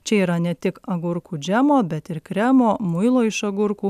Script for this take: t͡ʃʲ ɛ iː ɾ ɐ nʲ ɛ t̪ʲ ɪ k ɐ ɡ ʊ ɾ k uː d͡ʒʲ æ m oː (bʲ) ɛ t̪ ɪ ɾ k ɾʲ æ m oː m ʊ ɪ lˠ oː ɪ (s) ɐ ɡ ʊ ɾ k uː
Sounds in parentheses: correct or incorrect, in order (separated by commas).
correct, incorrect